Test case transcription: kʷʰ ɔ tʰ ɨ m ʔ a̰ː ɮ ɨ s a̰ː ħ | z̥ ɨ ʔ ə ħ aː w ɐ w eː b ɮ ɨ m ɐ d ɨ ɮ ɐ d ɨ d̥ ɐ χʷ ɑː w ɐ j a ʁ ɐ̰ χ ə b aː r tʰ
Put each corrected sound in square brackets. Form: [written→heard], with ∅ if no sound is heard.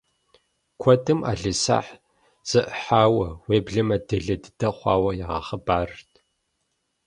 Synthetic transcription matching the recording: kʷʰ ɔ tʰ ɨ m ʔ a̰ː ɮ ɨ s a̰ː ħ | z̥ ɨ ʔ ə ħ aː w ɐ w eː b ɮ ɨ m ɐ d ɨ ɮ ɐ d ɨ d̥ ɐ χʷ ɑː w ɐ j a ʁ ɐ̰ χ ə b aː r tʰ